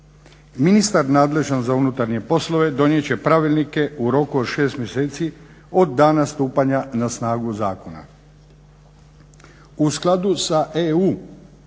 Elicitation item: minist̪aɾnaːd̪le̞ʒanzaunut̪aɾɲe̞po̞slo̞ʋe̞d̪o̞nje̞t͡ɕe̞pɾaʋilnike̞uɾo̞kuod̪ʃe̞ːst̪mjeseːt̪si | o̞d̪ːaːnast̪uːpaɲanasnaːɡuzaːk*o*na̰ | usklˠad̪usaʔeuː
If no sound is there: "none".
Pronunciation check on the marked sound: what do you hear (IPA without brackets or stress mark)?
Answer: o